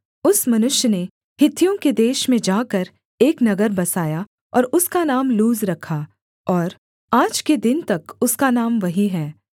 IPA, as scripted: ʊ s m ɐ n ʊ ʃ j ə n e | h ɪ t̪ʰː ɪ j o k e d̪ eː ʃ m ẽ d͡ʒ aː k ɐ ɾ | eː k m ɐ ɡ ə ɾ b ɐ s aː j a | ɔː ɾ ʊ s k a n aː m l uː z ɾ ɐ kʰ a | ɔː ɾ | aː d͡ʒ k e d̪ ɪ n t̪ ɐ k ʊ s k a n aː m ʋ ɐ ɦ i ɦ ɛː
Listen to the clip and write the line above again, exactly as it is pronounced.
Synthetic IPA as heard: ʊ s m ɐ n ʊ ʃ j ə n e | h ɪ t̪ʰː i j õ k e d̪ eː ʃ m ẽ d͡ʒ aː k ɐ ɾ | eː k n ɐ ɡ ə ɾ b ɐ s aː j a | ɔː ɾ ʊ s k a n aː m l uː z ɾ ɐ kʰ a | ɔː ɾ | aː d͡ʒ k e d̪ ɪ n t̪ ɐ k ʊ s k a n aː m ʋ ɐ ɦ i ɦ ɛː